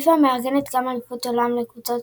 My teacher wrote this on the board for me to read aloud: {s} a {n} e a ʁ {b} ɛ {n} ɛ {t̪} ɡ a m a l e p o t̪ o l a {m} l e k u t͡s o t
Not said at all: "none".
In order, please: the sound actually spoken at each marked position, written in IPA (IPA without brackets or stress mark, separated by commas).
f, m, ɡ, n, t̪, m